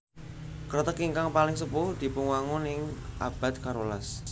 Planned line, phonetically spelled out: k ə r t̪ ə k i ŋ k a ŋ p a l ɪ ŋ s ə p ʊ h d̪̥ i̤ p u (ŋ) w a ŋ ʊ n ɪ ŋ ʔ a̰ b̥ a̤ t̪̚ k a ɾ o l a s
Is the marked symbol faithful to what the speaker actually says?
yes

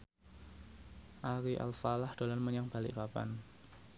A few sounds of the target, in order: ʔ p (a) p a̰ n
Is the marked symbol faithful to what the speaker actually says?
yes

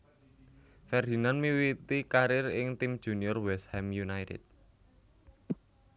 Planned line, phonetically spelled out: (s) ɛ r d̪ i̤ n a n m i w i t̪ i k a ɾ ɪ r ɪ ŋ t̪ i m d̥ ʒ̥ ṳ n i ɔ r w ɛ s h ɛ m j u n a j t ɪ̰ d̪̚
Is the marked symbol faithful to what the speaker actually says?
no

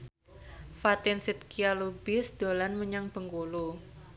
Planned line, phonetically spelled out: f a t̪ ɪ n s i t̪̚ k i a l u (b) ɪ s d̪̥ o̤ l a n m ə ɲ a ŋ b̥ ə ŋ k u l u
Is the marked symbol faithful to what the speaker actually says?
yes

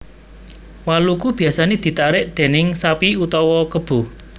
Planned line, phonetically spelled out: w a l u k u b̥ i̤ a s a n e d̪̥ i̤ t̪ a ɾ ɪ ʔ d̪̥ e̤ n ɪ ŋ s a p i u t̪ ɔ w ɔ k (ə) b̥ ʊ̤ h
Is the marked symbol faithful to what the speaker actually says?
yes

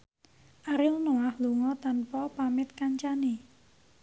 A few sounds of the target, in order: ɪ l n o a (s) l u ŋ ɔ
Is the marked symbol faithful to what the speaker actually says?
no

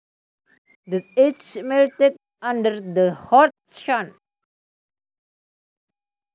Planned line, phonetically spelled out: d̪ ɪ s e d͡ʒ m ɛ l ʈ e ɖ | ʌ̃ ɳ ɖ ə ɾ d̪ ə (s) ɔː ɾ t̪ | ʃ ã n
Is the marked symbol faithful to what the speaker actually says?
no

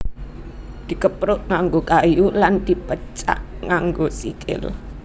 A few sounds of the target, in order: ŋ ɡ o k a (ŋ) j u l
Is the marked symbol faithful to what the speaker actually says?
no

